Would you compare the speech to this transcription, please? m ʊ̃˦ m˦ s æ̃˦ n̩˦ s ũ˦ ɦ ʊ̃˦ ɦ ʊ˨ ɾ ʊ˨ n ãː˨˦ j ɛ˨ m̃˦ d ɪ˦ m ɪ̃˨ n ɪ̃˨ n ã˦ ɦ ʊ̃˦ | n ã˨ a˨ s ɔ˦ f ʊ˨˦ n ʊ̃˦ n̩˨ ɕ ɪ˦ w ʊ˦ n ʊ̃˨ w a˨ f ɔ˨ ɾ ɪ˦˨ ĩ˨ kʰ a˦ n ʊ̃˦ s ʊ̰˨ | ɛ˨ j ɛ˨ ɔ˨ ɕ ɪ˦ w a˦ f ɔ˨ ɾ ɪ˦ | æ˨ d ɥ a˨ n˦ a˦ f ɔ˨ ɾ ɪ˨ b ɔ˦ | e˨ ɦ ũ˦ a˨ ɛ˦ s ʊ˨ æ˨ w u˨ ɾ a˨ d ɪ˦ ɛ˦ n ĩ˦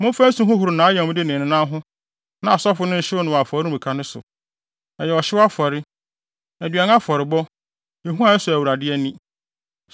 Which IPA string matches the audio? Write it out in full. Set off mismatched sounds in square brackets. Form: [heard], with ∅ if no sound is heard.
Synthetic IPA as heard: m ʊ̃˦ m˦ [f] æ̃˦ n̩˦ s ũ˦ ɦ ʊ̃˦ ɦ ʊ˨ ɾ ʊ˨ n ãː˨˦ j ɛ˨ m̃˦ d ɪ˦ [n] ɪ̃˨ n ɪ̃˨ n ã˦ ɦ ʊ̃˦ | n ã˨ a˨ s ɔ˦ f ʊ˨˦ n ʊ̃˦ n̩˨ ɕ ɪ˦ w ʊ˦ n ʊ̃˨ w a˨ f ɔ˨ ɾ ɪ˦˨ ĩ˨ kʰ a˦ n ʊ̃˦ s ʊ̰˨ | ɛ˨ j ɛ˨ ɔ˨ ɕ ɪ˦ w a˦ f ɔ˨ ɾ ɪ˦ | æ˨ d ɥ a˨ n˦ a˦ f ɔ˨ ɾ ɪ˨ b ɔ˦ | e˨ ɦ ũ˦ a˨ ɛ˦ s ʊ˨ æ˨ w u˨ ɾ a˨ d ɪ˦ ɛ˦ n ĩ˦